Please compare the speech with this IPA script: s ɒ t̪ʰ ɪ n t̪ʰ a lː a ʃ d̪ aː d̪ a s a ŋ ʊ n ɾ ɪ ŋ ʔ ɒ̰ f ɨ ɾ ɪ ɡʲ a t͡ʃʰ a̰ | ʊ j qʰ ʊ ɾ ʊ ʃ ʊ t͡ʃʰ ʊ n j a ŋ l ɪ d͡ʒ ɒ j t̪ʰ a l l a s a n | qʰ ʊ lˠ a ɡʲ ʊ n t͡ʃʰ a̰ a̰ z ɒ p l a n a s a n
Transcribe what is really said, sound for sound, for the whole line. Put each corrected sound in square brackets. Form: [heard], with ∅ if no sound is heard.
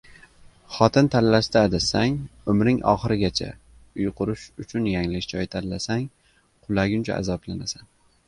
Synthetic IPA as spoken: [χ] ɒ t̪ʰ ɪ n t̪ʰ a lː a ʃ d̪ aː d̪ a s a ŋ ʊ [m] ɾ ɪ ŋ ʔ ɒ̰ [χ] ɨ ɾ ɪ ɡʲ a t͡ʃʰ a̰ | ʊ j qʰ ʊ ɾ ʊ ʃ ʊ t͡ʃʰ ʊ n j a ŋ l ɪ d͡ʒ ɒ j t̪ʰ a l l a s a [ŋ] | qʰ ʊ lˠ a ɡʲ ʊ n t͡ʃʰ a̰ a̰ z ɒ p l a n a s a n